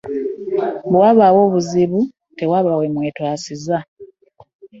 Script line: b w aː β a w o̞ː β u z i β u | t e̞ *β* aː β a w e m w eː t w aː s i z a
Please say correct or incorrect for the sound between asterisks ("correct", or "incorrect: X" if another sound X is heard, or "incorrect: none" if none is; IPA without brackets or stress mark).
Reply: incorrect: w